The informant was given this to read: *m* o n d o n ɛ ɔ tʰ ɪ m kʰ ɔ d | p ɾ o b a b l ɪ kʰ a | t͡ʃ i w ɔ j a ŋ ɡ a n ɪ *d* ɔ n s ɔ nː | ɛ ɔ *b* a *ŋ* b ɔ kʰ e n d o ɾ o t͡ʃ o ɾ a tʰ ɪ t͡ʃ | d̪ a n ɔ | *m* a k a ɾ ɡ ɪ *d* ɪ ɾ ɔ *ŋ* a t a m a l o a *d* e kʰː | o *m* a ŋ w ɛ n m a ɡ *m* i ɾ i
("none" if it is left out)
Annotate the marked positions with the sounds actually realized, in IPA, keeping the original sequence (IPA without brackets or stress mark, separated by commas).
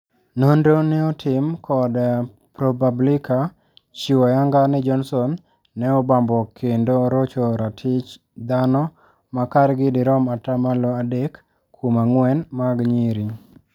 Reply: n, d͡ʒ, b, m, m, d, m, d, m, ɲ